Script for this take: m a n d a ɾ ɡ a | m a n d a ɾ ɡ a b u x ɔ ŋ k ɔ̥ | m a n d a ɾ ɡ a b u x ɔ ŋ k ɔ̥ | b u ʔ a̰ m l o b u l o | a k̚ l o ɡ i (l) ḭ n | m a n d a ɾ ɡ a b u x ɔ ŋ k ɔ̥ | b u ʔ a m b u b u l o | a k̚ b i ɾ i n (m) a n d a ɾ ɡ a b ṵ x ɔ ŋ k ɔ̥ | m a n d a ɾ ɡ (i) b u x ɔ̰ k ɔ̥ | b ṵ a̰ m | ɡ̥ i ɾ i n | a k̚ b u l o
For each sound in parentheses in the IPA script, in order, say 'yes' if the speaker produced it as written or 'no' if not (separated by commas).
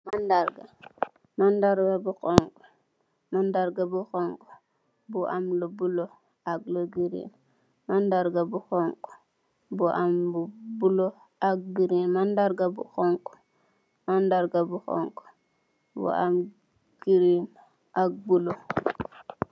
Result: no, yes, no